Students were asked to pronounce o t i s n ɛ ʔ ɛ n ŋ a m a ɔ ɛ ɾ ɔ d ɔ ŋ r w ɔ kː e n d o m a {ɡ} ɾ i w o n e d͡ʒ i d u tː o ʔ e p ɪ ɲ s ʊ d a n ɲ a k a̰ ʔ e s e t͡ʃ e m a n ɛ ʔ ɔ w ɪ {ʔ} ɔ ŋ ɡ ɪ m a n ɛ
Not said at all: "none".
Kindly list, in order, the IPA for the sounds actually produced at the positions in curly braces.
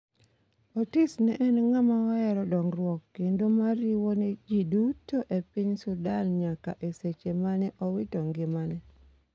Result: none, t

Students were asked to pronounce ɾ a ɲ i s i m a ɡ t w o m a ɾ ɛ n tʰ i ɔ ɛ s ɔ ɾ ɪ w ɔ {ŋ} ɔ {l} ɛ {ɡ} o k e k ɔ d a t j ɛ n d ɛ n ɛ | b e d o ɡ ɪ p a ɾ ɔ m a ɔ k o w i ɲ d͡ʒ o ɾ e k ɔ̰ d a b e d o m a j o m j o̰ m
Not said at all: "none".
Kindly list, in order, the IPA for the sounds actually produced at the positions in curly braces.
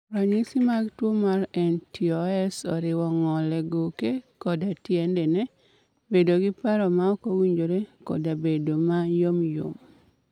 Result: ŋ, l, ɡ

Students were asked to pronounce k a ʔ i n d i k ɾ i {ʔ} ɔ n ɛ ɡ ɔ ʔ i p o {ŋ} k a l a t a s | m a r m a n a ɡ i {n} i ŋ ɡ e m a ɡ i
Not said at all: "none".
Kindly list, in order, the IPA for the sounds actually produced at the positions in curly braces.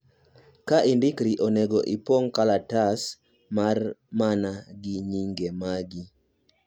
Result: ʔ, ŋ, ɲ

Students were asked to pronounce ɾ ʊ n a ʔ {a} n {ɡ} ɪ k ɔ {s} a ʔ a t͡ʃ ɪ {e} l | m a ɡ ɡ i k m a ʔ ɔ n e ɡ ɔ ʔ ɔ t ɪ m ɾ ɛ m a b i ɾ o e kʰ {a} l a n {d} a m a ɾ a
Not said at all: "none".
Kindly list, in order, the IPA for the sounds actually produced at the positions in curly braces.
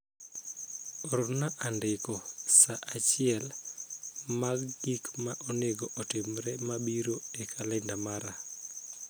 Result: a, d, s, ɛ, a, d

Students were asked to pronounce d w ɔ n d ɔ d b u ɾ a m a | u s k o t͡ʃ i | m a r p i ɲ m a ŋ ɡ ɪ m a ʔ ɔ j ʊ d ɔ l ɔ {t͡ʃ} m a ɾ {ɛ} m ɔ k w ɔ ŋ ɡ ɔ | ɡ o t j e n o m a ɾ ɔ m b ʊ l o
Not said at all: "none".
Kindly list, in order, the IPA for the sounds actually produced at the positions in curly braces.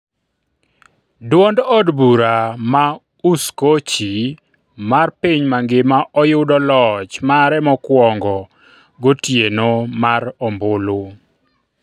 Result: t͡ʃ, ɛ

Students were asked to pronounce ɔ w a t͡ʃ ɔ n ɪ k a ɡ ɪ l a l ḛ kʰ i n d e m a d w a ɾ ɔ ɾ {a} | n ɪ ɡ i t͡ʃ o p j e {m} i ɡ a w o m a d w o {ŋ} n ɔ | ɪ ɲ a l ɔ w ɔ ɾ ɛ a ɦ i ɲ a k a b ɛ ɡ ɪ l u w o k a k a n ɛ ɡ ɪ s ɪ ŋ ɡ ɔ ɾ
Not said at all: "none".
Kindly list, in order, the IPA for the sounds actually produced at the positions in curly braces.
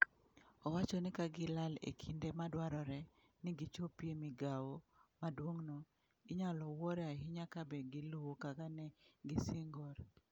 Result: ɛ, m, ŋ

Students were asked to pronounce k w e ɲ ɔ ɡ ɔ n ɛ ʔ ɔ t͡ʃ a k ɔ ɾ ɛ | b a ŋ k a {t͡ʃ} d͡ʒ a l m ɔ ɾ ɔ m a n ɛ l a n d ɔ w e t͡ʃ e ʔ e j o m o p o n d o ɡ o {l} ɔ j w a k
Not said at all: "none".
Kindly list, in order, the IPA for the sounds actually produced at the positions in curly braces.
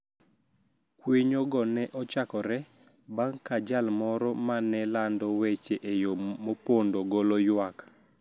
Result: none, l

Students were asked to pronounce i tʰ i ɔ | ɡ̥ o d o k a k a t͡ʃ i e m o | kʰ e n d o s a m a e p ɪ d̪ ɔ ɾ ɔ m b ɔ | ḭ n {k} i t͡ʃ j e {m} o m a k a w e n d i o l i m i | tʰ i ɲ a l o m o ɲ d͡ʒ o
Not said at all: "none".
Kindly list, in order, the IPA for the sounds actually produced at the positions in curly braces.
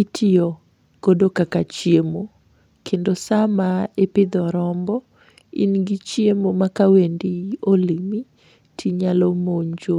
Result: ɡ, m

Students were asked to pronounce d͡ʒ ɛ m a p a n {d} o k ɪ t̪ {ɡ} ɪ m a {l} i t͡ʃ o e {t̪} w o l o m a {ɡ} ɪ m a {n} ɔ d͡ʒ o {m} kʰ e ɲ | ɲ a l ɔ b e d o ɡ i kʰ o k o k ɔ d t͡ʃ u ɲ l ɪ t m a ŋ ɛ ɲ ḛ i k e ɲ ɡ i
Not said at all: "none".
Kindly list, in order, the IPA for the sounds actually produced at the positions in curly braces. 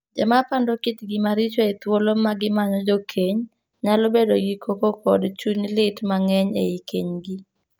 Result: d, ɡ, ɾ, t̪, ɡ, ɲ, none

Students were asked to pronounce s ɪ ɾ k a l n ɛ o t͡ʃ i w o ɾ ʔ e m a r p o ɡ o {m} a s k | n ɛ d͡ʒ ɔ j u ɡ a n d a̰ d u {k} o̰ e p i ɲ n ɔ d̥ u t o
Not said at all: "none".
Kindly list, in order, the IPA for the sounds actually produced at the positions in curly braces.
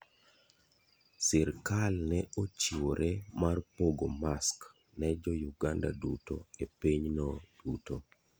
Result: m, t

